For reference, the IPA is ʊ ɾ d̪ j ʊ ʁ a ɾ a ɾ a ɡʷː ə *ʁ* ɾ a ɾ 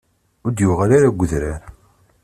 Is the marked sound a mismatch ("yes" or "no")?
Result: yes